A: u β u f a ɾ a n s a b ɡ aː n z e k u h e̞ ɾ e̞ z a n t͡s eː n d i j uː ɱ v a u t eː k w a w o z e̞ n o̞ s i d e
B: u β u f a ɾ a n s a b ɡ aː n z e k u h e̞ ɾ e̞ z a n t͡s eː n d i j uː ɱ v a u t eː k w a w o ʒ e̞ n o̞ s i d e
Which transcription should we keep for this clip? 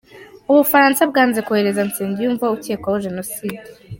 B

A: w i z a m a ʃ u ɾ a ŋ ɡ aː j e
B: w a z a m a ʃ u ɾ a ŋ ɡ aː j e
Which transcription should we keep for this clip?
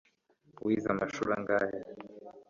A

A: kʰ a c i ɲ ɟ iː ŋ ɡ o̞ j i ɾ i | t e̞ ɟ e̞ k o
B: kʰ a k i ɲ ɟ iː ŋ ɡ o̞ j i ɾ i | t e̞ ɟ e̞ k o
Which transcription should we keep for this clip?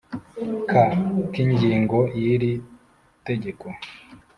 B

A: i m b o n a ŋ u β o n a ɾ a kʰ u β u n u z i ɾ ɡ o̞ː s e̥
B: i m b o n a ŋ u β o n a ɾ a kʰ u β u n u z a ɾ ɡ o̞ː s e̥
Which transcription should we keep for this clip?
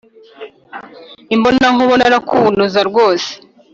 B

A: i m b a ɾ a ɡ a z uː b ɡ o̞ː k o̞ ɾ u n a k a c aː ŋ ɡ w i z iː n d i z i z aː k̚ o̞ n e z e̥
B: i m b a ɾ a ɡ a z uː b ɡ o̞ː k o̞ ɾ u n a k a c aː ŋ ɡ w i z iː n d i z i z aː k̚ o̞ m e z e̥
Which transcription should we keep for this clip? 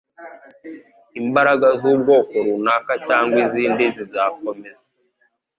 B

